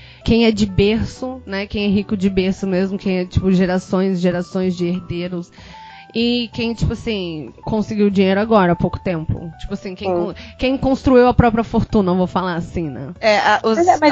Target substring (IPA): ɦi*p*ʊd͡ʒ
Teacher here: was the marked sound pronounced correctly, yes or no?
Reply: no